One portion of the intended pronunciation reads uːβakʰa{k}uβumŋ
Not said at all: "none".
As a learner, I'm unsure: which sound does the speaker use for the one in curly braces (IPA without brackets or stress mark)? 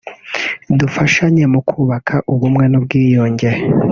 ʔ